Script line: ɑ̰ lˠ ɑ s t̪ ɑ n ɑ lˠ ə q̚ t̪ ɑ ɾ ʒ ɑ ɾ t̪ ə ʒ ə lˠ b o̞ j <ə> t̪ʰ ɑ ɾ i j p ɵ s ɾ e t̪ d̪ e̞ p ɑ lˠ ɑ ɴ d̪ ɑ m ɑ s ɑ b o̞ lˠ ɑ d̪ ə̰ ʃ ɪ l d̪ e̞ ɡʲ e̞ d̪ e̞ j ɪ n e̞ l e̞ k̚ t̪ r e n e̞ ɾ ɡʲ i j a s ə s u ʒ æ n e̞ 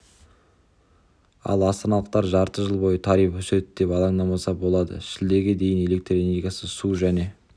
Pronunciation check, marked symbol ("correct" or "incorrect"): correct